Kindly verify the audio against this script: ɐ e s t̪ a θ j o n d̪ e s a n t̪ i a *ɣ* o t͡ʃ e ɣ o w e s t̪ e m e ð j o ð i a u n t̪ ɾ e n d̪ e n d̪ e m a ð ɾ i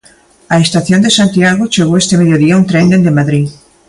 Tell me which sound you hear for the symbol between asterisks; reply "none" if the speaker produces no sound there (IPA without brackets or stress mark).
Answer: ɣ